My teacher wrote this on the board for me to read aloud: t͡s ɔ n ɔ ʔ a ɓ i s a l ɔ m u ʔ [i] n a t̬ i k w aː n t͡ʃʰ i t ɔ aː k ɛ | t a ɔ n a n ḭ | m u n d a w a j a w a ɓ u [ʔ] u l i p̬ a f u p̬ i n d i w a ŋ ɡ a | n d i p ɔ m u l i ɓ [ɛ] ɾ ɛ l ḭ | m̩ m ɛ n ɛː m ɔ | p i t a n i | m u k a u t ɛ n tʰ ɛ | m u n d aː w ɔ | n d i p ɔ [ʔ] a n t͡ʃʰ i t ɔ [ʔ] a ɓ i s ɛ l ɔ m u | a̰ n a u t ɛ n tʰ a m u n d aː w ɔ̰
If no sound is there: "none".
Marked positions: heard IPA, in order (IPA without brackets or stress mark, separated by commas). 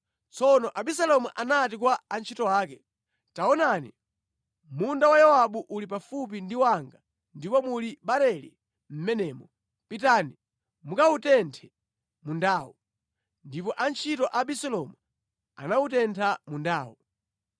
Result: a, ʔ, a, ʔ, ʔ